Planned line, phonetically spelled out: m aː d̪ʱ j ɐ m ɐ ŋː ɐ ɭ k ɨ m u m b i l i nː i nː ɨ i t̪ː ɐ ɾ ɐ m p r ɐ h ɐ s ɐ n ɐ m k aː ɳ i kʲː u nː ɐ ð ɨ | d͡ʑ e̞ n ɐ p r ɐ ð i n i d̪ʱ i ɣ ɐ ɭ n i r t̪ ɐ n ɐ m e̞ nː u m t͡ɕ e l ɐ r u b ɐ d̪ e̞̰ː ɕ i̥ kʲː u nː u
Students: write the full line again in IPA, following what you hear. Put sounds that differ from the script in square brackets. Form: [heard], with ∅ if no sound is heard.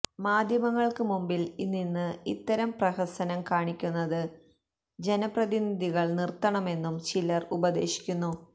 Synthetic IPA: m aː d̪ʱ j ɐ m ɐ ŋː ɐ ɭ k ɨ m u m b i l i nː i nː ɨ i t̪ː ɐ ɾ ɐ m p r ɐ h ɐ s ɐ n ɐ m k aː ɳ i kʲː u nː ɐ ð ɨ | d͡ʑ e̞ n ɐ p r ɐ ð i n i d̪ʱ i ɣ ɐ ɭ n i r t̪ ɐ [ɳ] ɐ m e̞ nː u m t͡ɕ [i] l ɐ r u b ɐ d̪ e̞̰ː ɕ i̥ kʲː u nː u